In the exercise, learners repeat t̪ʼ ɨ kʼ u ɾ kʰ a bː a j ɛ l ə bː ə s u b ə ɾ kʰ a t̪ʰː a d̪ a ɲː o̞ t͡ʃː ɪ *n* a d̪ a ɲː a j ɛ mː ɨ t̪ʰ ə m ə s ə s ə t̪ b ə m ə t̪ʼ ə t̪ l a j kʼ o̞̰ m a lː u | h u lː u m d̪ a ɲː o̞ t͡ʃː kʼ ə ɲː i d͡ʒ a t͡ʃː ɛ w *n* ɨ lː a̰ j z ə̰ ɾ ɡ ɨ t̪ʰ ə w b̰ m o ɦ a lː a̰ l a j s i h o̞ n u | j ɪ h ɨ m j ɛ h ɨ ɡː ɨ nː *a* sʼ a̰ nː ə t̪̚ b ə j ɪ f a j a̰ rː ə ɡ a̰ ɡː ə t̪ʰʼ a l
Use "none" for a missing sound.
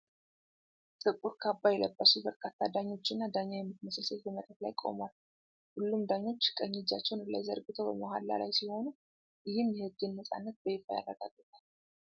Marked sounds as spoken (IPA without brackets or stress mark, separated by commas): nː, n, ə